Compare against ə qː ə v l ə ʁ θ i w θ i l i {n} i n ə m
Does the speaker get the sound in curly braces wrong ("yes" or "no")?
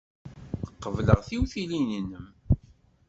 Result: no